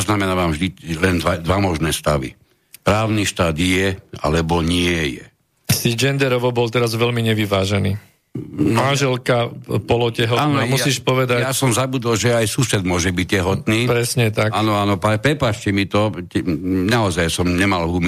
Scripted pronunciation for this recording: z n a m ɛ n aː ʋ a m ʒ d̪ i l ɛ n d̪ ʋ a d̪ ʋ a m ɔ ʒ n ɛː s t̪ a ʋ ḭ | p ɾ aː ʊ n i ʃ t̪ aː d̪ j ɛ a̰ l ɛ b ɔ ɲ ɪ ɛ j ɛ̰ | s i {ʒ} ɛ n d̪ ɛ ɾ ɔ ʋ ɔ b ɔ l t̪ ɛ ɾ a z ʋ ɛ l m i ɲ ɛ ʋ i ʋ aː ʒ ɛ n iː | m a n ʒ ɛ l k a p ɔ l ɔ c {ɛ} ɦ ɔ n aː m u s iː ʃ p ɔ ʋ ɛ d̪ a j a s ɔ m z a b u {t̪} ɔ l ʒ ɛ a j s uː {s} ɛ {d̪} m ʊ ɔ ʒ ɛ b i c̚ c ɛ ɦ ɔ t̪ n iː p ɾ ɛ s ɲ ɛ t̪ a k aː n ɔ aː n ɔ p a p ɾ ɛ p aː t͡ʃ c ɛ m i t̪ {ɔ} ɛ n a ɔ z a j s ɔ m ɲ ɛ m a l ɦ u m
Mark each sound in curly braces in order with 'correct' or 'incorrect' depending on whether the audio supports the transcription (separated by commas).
incorrect, correct, incorrect, correct, correct, correct